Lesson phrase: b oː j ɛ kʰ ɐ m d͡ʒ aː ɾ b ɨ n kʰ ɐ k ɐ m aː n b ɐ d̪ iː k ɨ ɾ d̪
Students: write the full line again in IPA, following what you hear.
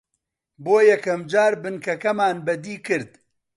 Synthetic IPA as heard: b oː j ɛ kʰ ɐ m d͡ʒ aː ɾ b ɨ n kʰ ɐ k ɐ m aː n b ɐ d̪ iː k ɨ ɾ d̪